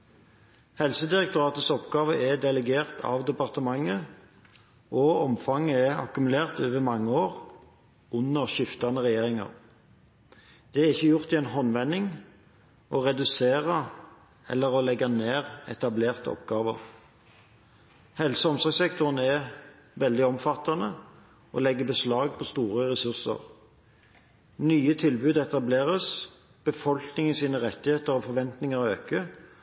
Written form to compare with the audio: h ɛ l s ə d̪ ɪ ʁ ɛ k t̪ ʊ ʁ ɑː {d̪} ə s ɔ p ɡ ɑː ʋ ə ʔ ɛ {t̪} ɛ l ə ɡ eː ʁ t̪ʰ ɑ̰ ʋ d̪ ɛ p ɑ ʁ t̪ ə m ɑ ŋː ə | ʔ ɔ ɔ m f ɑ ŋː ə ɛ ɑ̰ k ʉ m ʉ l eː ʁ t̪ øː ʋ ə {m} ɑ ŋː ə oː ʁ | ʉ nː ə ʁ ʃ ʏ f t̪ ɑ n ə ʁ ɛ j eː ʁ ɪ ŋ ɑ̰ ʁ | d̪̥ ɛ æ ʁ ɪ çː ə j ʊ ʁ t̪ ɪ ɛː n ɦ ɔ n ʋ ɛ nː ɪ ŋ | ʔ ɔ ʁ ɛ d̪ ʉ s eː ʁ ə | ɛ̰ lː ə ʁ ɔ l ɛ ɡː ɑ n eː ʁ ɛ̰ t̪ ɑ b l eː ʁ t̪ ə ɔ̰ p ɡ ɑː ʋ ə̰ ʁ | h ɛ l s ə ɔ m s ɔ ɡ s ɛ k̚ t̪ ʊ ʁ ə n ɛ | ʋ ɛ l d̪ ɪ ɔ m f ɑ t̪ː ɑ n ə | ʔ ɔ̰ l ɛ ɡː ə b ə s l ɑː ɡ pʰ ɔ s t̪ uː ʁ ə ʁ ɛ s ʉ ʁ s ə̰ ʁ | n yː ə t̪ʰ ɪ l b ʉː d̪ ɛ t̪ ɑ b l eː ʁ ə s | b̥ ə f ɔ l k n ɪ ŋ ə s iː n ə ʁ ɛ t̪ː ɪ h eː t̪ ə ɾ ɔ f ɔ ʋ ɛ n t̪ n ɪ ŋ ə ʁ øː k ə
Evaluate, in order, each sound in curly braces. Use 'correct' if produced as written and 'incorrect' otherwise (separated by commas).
incorrect, incorrect, correct